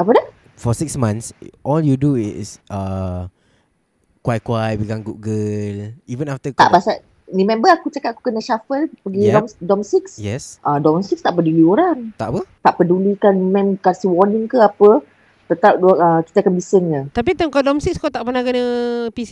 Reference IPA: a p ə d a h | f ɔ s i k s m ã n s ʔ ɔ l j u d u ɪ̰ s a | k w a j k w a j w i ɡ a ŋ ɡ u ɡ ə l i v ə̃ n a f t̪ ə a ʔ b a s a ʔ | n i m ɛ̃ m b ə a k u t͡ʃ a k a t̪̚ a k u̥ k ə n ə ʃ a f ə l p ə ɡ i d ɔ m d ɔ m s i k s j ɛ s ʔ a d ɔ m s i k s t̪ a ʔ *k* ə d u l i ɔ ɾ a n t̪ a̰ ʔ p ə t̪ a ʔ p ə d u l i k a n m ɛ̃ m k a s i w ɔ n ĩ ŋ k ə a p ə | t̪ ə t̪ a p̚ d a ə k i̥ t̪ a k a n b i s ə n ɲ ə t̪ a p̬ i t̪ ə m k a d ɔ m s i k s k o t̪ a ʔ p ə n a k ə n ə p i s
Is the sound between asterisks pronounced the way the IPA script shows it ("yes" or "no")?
no